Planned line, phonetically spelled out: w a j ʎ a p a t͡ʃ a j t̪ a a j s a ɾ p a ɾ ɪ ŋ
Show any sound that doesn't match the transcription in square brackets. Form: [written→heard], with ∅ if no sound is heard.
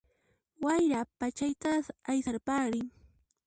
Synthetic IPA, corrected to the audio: w a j [ʎ→ɾ] a p a t͡ʃ a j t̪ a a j s a ɾ p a ɾ ɪ ŋ